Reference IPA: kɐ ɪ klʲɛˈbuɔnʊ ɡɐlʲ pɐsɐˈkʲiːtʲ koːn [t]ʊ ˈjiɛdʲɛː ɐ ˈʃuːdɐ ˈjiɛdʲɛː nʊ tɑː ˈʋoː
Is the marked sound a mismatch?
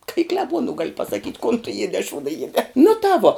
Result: no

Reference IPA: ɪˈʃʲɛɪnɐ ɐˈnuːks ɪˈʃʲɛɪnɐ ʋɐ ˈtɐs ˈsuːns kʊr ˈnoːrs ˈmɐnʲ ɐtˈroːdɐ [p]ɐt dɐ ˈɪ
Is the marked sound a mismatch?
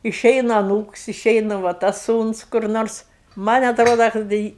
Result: yes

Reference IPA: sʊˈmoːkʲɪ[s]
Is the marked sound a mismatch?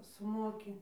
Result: yes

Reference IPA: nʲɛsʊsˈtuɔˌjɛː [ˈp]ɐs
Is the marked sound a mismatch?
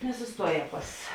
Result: no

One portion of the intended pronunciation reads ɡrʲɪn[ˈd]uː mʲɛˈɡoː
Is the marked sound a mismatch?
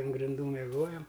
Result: no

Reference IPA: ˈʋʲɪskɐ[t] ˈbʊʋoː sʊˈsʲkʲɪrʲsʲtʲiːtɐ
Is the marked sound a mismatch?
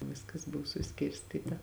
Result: yes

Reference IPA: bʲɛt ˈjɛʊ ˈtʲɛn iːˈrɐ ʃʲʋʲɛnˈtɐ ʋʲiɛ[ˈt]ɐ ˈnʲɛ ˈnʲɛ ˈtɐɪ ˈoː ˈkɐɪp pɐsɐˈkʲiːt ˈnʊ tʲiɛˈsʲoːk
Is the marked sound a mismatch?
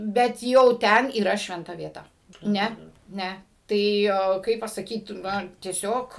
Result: no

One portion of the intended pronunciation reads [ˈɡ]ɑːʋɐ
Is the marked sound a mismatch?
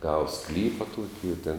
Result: no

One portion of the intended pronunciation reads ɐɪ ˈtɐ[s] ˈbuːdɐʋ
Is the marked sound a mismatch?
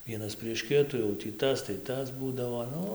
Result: no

